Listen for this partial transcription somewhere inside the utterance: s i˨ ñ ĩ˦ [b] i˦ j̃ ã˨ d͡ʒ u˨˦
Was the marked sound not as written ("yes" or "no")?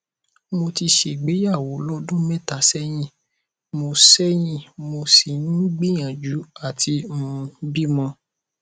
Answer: yes